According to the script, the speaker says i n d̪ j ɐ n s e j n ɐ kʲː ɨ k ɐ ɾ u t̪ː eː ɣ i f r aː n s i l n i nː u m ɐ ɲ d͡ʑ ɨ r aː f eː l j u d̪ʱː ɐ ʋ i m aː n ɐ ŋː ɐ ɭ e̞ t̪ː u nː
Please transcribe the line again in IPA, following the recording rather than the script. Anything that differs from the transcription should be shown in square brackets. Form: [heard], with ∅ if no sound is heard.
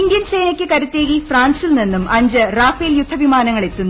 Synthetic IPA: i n d̪ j ɐ n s e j n ɐ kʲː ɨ k ɐ ɾ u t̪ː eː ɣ i f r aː n s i l n i nː u m ɐ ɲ d͡ʑ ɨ r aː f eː l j u d̪ʱː ɐ ʋ i m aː n ɐ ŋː ɐ ɭ e̞ t̪ː u nː